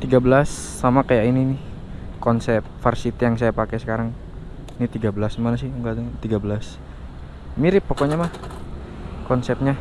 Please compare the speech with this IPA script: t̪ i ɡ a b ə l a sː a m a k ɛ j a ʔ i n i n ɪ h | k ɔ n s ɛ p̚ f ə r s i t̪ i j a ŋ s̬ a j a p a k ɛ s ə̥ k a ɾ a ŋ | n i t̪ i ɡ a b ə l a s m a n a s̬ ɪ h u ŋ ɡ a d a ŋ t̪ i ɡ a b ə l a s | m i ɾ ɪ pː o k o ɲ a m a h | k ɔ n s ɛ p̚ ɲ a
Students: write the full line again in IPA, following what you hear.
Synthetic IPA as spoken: t̪ i ɡ a b ə l a sː a m a k a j a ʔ i n i n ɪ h | k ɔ n s ɛ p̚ f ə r s i t̪ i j a ŋ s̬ a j a p a k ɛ s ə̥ k a ɾ a ŋ | n i t̪ i ɡ a b ə l a s m a n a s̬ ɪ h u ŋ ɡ a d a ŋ t̪ i ɡ a b ə l a s | m i ɾ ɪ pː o k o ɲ a m a h | k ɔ n s ɛ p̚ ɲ a